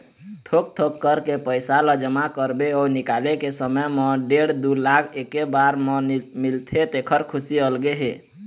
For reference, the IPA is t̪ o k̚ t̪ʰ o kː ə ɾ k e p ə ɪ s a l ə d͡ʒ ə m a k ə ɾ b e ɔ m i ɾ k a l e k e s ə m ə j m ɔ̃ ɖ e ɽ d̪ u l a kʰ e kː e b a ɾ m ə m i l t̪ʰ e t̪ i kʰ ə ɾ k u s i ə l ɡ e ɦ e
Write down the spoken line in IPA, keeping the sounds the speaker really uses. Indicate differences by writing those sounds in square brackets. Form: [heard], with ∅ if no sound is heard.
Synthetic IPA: [t̪ʰ] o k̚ t̪ʰ o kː ə ɾ k e p ə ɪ s a l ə d͡ʒ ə m a k ə ɾ b e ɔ [n] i [∅] k a l e k e s ə m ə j m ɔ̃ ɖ e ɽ d̪ u l a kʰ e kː e b a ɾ m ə m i l t̪ʰ e t̪ [e] kʰ ə ɾ [kʰ] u s i ə l ɡ e ɦ e

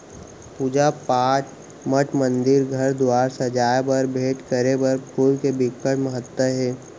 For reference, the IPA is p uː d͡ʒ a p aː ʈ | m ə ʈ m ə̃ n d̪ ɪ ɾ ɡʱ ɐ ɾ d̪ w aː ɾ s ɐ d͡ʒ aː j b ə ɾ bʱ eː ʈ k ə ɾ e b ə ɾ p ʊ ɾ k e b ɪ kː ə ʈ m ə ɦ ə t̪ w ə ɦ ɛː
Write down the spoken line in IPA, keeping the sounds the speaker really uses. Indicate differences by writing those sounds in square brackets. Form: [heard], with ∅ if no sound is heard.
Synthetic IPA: p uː d͡ʒ a p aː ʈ | m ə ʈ m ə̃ n d̪ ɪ ɾ ɡʱ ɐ ɾ d̪ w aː ɾ s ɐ d͡ʒ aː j b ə ɾ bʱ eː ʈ k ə ɾ e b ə ɾ p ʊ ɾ k e b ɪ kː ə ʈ m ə ɦ ə t̪ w ə ɦ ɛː

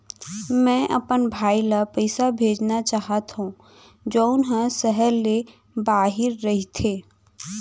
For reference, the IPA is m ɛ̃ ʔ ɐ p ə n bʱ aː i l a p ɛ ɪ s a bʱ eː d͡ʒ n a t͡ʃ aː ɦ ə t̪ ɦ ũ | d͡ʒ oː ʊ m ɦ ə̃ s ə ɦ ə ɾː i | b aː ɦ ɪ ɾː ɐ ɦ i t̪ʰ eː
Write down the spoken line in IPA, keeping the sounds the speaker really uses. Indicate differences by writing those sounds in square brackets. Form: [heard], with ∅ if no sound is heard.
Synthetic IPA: m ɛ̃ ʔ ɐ p ə n bʱ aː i l a p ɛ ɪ s a bʱ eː d͡ʒ n a t͡ʃ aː ɦ ə t̪ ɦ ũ | d͡ʒ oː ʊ [n] ɦ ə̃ s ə ɦ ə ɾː [e] | b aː ɦ ɪ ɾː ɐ ɦ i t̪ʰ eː

